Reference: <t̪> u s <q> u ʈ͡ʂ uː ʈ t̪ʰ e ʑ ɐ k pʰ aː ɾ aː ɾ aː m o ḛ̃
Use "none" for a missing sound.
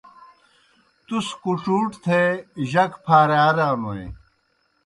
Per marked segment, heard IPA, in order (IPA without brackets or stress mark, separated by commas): t̪, k